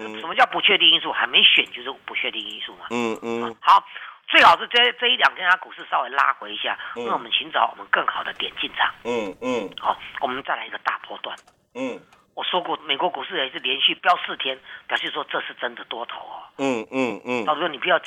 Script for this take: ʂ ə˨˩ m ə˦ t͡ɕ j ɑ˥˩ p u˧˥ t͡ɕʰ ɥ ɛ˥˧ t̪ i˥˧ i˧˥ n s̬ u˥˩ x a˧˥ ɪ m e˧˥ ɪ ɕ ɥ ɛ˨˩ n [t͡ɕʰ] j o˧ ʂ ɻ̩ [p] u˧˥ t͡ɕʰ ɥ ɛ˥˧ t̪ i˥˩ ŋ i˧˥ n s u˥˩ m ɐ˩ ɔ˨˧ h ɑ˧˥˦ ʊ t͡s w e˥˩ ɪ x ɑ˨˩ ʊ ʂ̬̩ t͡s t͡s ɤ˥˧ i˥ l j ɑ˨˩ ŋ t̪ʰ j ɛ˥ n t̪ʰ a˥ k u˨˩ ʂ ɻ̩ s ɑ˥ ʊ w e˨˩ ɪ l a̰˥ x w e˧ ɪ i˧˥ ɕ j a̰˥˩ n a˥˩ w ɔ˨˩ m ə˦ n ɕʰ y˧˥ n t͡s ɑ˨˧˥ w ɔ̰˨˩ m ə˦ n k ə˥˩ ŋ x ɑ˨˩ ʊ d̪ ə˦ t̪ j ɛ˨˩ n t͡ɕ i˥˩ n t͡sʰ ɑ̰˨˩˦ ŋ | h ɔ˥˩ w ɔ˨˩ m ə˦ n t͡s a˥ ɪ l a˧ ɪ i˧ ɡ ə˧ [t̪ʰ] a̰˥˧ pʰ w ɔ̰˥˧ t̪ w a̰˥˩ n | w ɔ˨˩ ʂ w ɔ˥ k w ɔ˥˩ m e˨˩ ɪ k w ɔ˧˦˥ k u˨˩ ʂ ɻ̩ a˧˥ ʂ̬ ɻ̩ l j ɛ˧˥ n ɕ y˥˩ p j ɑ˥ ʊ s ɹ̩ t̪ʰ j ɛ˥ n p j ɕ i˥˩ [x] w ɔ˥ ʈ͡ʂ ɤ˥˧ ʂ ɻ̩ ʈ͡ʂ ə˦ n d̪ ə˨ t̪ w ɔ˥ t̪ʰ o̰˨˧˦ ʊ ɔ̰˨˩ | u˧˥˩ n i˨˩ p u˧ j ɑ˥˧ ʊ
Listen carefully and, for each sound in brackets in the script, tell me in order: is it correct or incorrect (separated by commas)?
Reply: incorrect, correct, incorrect, incorrect